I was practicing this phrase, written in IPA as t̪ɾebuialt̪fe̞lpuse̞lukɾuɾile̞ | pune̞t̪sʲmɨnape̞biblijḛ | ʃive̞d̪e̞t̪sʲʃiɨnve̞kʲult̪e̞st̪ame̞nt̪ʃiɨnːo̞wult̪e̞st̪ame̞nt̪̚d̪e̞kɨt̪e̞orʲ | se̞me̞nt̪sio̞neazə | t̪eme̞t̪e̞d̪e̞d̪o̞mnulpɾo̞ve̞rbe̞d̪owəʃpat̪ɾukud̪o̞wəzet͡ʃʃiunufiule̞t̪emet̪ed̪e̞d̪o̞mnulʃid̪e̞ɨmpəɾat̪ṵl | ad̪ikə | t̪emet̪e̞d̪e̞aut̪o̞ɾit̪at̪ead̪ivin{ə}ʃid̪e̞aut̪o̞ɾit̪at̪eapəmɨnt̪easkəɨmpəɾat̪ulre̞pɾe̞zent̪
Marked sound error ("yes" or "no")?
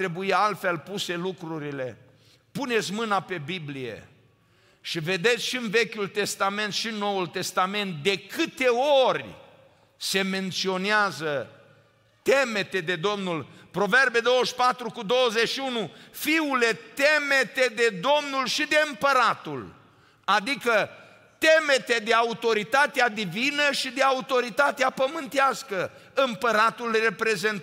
no